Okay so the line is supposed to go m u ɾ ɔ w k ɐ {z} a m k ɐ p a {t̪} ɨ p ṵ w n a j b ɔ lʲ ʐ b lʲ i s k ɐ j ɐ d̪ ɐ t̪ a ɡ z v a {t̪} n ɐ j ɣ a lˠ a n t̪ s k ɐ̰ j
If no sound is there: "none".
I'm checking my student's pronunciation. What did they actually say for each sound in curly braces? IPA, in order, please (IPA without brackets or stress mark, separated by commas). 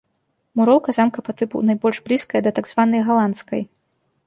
z, t̪, none